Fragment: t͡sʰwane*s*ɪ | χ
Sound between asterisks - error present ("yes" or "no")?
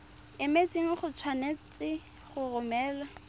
yes